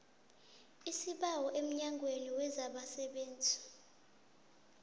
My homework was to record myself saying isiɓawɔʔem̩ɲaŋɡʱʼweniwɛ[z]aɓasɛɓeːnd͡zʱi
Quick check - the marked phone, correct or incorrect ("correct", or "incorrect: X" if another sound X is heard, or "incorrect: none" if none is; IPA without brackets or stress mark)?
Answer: correct